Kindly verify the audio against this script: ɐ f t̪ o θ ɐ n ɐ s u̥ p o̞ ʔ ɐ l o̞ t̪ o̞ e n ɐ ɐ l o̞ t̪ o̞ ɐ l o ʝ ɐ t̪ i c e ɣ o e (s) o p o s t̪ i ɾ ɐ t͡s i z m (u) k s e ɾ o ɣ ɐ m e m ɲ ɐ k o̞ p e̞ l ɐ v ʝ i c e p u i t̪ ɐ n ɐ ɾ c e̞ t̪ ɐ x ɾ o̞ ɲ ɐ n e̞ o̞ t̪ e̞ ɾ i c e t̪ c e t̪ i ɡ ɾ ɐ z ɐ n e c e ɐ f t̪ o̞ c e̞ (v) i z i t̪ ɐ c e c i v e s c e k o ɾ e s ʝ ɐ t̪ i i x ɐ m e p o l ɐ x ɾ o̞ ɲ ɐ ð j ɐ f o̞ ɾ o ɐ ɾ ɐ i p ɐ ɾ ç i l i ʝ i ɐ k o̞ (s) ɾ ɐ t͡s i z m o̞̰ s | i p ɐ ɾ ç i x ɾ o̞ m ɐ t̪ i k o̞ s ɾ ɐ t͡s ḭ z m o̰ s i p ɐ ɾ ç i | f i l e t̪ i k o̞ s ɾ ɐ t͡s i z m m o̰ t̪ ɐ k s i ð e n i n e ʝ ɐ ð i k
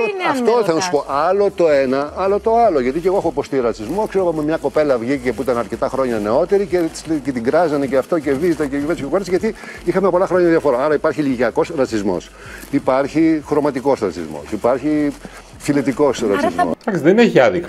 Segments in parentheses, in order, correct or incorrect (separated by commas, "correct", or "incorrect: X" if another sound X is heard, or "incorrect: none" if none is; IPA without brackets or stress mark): incorrect: x, incorrect: o, correct, correct